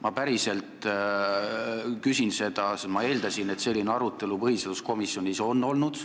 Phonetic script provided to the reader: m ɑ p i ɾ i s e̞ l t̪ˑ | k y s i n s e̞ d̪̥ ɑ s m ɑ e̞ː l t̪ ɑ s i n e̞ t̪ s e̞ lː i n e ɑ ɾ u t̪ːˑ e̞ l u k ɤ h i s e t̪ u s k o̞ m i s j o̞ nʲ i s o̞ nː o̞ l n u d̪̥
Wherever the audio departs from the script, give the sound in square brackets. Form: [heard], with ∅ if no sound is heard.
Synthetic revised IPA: m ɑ p [æ] ɾ i s e̞ l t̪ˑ | k y s i n s e̞ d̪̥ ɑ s m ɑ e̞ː l [d̪] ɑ s i n e̞ t̪ s e̞ lː i n e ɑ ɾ u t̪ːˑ e̞ l u [p] ɤ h i s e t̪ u s k o̞ m i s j o̞ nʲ i s o̞ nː o̞ l n u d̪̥